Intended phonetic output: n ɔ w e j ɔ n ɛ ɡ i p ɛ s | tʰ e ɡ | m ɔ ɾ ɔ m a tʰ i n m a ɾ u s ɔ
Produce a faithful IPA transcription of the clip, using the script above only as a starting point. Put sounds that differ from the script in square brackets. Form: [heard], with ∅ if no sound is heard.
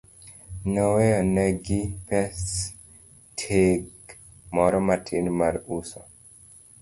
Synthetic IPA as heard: n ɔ w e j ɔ n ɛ ɡ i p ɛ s | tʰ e ɡ | m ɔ ɾ ɔ m a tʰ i n m a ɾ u s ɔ

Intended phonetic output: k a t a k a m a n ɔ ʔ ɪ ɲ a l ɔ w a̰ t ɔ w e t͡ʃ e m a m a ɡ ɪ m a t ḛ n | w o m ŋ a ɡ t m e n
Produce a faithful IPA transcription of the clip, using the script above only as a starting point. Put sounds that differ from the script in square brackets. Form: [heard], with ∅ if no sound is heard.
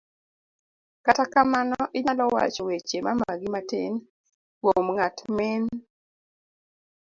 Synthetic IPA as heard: k a t a k a m a n ɔ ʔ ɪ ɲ a l ɔ w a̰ [t͡ʃ] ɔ w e t͡ʃ e m a m a ɡ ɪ m a t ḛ n | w o m ŋ a [∅] t m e n

